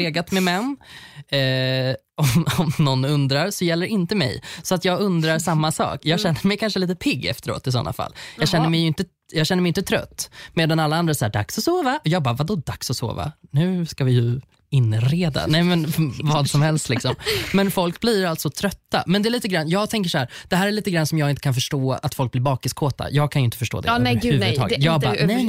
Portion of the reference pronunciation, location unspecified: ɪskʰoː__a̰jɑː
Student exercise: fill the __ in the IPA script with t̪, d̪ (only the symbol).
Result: t̪